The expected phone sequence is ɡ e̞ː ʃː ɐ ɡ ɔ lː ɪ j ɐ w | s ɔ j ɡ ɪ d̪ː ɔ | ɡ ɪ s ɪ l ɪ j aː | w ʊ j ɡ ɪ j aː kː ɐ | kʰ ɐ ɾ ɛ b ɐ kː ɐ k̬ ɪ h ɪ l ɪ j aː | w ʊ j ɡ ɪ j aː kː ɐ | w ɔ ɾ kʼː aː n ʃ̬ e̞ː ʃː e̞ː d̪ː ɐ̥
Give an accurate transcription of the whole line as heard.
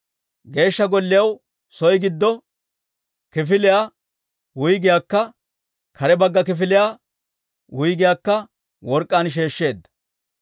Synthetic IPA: ɡ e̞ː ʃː ɐ ɡ ɔ lː ɪ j ɐ w | s ɔ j ɡ ɪ d̪ː ɔ | k ɪ f ɪ l ɪ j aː | w ʊ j ɡ ɪ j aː kː ɐ | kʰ ɐ ɾ ɛ b ɐ ɡː ɐ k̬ ɪ f ɪ l ɪ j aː | w ʊ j ɡ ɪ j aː kː ɐ | w ɔ ɾ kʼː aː n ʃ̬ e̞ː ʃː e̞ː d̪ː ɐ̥